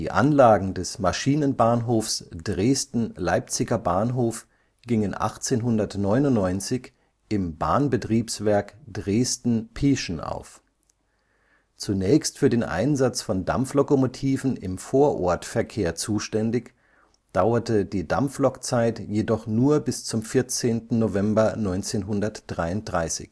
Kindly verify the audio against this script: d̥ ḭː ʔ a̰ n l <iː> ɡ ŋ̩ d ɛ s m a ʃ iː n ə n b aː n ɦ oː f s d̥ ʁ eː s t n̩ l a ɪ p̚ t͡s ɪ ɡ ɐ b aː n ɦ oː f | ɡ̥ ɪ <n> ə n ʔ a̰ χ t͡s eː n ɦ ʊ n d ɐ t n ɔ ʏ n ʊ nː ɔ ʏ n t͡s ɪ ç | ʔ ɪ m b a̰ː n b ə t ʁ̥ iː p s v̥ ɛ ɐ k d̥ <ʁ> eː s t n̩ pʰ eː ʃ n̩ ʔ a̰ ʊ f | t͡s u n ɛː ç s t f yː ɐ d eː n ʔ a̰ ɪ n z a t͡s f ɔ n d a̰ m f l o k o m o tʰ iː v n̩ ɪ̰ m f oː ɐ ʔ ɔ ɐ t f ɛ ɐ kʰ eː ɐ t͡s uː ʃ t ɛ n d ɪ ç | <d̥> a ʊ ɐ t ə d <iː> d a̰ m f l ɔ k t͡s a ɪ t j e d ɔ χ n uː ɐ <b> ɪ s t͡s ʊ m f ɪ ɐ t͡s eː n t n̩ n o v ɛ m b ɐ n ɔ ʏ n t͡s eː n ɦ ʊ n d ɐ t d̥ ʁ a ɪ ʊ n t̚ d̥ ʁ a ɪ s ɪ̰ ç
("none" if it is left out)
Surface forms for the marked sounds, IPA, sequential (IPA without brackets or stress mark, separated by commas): aː, ŋ, ʁ, d̥, iː, b